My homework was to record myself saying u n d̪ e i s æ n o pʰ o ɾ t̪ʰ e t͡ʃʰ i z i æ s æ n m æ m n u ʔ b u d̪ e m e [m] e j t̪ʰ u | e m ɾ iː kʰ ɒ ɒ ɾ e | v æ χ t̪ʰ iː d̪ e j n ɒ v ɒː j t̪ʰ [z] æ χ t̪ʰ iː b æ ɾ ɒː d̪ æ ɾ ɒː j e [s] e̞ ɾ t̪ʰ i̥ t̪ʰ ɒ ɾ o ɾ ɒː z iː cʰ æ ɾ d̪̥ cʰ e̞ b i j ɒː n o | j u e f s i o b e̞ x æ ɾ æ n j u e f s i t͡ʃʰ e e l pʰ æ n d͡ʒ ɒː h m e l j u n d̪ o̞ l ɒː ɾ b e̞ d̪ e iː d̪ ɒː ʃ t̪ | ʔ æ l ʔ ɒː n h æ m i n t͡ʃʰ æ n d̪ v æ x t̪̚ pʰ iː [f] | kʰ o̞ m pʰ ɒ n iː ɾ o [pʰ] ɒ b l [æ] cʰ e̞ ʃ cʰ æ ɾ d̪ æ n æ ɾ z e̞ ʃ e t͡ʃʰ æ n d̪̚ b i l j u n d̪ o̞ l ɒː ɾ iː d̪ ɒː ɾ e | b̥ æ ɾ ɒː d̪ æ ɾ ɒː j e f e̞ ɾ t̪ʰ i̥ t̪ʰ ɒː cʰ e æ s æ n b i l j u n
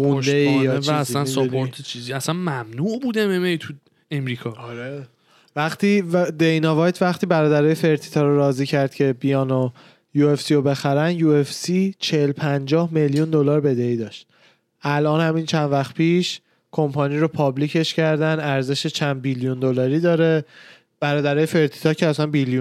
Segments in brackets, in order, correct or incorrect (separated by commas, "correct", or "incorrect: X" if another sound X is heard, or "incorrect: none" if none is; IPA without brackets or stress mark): correct, incorrect: v, incorrect: f, incorrect: ʃ, correct, incorrect: i